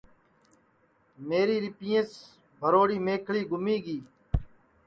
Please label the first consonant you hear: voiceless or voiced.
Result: voiced